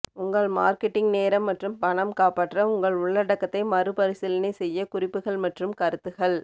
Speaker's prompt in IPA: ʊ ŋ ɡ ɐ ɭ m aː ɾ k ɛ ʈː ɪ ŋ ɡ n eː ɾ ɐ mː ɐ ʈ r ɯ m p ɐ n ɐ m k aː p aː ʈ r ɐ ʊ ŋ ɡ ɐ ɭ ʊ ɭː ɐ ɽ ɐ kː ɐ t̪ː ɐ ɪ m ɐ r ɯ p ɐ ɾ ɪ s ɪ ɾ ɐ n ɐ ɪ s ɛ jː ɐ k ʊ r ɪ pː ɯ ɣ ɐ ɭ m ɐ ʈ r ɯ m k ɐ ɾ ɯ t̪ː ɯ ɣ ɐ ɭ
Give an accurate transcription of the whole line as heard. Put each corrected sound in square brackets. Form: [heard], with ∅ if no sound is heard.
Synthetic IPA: ʊ ŋ ɡ ɐ ɭ m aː ɾ k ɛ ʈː ɪ ŋ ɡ n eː ɾ ɐ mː ɐ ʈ r ɯ m p ɐ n ɐ m k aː p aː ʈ r ɐ ʊ ŋ ɡ ɐ ɭ ʊ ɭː ɐ ɽ ɐ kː ɐ t̪ː ɐ ɪ m ɐ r ɯ p ɐ ɾ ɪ s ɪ [l] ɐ n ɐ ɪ s ɛ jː ɐ k ʊ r ɪ pː ɯ ɣ ɐ ɭ m ɐ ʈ r ɯ m k ɐ ɾ ɯ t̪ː ɯ ɣ ɐ ɭ